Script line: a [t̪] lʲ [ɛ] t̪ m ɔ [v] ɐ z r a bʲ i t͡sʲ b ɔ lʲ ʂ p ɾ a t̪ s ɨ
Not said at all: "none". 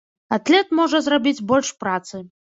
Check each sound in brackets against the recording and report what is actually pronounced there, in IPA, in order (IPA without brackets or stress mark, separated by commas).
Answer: t̪, ɛ, ʐ